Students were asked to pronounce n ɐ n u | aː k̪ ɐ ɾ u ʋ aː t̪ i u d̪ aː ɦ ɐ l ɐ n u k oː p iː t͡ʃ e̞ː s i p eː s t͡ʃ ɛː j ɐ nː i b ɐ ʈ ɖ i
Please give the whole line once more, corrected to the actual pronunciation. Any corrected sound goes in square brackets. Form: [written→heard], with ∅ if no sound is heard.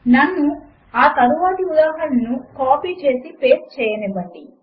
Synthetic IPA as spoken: n ɐ [n→nː] u | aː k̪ ɐ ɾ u ʋ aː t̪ i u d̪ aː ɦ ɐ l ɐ n u k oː p iː t͡ʃ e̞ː s i p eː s t͡ʃ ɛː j ɐ [nː→n] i b ɐ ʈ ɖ i